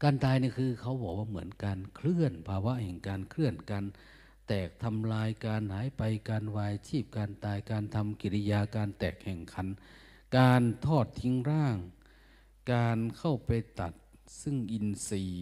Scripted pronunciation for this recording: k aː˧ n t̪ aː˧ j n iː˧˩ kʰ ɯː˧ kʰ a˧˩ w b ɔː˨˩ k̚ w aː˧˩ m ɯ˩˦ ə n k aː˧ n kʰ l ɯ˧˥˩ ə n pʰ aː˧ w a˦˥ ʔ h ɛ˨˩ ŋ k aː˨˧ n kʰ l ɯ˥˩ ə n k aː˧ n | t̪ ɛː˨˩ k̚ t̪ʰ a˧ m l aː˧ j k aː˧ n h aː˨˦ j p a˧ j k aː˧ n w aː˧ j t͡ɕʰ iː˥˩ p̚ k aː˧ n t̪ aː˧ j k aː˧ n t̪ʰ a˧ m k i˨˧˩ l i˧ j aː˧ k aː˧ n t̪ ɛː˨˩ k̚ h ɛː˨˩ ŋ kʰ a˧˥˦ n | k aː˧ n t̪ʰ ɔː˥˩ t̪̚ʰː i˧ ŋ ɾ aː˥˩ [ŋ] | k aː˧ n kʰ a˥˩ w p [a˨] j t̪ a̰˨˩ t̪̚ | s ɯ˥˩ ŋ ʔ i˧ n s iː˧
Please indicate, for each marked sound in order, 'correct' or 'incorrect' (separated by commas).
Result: correct, correct